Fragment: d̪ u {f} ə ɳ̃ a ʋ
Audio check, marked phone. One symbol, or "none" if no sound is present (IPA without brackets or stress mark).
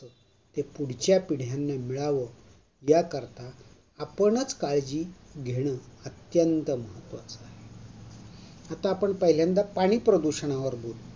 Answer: ɕ